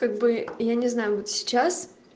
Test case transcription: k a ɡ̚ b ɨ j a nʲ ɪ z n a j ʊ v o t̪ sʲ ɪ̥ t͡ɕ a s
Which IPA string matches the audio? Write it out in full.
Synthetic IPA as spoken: k a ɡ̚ b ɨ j a nʲ ɪ z n a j ʊ v o t̪ sʲ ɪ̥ t͡ɕ a s